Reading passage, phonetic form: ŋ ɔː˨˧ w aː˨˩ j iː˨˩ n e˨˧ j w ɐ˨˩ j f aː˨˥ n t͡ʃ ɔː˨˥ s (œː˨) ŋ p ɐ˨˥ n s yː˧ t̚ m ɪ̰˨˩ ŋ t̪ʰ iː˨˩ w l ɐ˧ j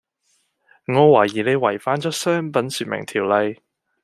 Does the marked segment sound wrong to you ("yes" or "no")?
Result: yes